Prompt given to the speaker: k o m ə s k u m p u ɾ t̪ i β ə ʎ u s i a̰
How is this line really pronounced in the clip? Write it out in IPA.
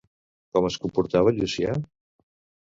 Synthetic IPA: k ɔ m ə s k u m p u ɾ t̪ a β ə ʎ u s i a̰

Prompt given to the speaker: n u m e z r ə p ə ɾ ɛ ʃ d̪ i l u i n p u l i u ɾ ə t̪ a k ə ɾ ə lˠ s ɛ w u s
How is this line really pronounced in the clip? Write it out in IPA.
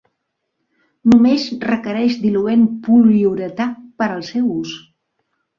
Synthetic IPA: n u m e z r ə k ə ɾ ɛ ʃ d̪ i l u e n p u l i u ɾ ə t̪ a p ə ɾ ə lˠ s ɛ w u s

